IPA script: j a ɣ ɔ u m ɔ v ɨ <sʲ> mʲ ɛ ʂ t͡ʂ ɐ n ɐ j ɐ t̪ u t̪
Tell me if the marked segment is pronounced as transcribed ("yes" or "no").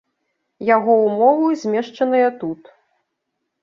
no